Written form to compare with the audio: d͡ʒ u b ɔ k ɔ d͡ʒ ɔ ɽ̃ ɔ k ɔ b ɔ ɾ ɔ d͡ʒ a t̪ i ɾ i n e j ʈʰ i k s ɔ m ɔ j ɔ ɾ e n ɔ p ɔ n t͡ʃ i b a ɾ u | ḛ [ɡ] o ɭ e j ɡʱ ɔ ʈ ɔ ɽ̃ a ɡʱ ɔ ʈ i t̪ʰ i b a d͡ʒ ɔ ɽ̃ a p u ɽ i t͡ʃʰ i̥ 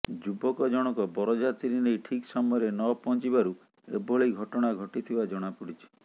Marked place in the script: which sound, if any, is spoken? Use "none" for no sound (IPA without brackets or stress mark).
b